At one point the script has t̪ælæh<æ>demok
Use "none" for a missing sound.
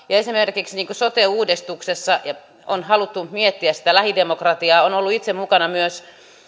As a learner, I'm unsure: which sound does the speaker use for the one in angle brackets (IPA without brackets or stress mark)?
i